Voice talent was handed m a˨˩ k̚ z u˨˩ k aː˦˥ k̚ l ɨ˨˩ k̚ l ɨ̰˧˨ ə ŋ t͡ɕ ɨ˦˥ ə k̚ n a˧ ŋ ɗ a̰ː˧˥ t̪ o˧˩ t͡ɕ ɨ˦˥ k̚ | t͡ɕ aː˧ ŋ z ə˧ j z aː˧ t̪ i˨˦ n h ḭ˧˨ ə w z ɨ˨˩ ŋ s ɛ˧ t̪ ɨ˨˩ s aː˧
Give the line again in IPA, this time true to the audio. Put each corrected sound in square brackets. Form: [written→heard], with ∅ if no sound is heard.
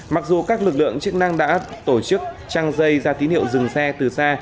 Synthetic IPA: m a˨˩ k̚ z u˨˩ k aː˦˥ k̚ l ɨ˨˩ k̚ l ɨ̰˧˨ ə ŋ t͡ɕ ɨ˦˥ ə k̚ n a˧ ŋ ɗ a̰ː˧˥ t̪ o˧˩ t͡ɕ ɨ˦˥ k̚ | t͡ɕ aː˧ ŋ z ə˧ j z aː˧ t̪ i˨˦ n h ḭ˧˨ ə w z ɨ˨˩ ŋ s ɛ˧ t̪ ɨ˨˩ s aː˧